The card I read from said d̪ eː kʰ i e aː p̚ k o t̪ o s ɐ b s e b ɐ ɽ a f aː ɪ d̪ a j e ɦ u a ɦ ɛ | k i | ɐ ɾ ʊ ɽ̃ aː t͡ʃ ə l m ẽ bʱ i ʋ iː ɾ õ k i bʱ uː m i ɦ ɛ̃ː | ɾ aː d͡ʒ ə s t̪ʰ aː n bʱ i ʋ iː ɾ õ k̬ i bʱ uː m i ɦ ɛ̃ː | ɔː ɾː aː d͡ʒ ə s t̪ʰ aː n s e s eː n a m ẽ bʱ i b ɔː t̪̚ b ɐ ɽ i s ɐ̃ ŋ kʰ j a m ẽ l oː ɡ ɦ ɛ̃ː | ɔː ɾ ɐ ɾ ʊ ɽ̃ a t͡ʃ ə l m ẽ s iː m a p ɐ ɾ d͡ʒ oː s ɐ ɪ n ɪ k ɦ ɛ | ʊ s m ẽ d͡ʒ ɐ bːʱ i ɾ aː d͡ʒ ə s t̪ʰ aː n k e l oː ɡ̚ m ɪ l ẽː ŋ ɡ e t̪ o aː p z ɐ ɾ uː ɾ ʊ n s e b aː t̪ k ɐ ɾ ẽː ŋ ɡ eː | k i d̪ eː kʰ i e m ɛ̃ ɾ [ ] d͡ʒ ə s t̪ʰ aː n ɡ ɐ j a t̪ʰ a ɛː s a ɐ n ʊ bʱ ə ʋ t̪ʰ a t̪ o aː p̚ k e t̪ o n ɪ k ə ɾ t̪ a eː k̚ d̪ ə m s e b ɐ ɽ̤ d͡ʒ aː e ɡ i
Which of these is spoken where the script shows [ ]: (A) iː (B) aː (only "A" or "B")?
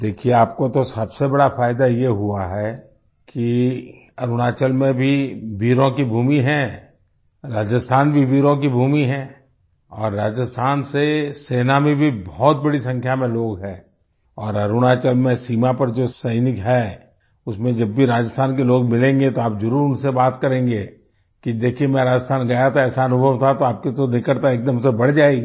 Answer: B